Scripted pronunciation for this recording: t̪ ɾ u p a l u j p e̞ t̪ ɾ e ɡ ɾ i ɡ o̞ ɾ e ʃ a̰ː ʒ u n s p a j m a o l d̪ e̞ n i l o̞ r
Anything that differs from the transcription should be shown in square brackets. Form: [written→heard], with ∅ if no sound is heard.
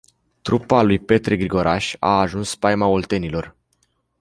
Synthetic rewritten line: t̪ ɾ u p a l u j p e̞ t̪ ɾ e ɡ ɾ i ɡ o̞ ɾ [e→a] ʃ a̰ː ʒ u n s p a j m a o l [d̪→t̪] e̞ n i l o̞ r